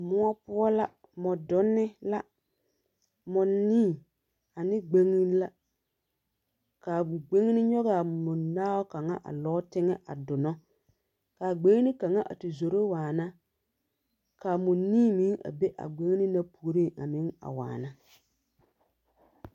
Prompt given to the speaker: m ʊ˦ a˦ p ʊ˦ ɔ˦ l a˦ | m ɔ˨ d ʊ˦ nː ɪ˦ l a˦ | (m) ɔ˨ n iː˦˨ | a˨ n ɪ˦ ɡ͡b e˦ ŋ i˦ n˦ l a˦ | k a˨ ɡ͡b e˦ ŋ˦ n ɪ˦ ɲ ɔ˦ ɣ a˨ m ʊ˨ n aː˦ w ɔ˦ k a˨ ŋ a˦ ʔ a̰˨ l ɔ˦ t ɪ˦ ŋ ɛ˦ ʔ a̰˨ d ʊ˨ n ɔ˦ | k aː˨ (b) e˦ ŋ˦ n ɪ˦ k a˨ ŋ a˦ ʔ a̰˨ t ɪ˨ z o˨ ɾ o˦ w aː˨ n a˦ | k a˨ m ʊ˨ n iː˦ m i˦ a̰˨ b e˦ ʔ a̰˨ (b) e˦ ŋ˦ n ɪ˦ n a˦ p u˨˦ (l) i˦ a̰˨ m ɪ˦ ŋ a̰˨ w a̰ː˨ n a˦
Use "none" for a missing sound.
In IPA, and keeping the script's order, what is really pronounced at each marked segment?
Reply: m, ɡ͡b, ɡ͡b, ɾ

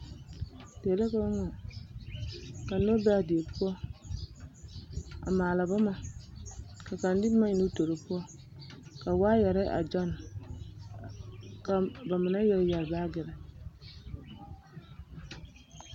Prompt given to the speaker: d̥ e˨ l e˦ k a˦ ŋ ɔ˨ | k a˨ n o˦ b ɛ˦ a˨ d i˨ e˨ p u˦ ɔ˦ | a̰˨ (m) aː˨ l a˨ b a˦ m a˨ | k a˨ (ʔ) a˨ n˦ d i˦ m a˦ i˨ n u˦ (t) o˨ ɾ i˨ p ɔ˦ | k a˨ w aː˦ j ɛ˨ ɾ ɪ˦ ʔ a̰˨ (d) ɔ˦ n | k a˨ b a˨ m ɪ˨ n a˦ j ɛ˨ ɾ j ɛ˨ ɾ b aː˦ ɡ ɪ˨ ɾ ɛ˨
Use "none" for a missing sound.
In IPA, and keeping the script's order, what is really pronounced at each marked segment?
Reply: m, k, t, d͡ʒ

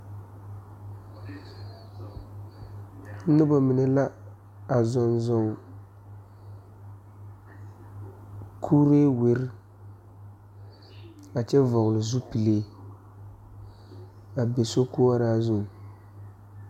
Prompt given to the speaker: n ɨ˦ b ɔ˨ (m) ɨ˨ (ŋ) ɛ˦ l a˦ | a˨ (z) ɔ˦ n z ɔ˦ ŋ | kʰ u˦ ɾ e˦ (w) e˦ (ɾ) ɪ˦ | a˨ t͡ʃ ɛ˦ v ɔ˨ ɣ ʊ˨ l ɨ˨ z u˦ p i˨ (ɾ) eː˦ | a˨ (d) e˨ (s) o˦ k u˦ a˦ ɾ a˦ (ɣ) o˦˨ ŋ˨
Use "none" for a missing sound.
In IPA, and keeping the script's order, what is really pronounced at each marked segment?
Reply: m, n, z, w, ɾ, l, b, s, z

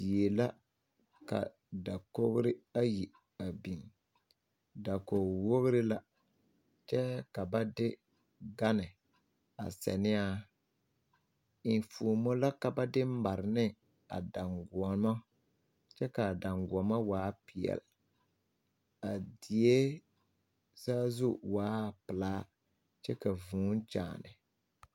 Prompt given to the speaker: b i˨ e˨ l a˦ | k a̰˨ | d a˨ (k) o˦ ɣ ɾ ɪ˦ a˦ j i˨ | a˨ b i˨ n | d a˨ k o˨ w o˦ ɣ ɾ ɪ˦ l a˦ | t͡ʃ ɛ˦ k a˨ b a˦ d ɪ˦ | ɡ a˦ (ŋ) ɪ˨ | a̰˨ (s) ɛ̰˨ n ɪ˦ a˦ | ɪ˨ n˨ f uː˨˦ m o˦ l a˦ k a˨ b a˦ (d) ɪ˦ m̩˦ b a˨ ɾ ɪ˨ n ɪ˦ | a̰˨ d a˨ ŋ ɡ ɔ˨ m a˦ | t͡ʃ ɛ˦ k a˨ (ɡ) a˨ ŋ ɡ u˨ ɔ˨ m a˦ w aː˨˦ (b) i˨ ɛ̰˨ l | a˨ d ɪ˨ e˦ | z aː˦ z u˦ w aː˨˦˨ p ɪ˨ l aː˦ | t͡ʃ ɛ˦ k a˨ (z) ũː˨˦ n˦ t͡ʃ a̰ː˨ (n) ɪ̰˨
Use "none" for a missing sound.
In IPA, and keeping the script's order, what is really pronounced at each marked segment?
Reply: k, n, s, d, d, p, v, n

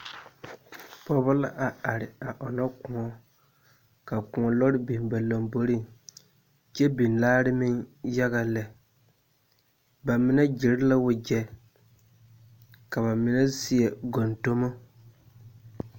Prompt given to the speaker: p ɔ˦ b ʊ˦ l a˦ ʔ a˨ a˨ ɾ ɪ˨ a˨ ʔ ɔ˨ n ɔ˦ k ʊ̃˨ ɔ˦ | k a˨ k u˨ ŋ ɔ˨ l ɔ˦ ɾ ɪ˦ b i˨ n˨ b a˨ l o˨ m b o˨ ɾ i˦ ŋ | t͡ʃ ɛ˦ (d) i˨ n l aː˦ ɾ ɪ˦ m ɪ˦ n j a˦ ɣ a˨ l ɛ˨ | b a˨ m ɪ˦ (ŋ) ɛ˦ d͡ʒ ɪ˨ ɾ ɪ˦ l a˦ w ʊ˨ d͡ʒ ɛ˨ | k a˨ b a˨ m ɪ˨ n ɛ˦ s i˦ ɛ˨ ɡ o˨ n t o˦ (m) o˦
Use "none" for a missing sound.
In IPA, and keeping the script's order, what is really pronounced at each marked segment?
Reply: b, n, m

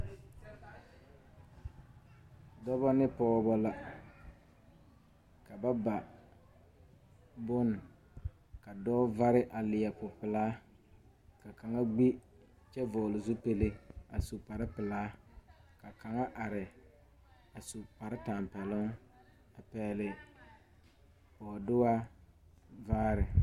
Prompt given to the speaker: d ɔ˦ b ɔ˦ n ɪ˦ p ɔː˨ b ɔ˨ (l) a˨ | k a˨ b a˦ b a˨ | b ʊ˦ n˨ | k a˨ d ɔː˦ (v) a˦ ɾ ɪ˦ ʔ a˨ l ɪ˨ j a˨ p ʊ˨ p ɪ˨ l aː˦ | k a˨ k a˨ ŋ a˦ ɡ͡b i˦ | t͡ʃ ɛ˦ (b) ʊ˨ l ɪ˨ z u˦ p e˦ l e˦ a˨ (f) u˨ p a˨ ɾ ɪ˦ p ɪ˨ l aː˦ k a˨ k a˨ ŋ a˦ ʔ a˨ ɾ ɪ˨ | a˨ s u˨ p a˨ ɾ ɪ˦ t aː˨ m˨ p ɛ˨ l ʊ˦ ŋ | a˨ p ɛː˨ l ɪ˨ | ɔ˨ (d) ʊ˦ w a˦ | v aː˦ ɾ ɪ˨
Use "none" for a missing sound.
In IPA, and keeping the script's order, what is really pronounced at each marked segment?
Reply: l, v, v, s, d

